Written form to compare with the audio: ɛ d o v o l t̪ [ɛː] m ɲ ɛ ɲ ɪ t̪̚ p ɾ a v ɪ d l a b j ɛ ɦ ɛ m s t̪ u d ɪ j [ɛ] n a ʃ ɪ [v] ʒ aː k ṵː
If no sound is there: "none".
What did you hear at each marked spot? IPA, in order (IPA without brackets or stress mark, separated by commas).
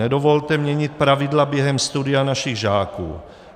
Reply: ɛ, a, ɣ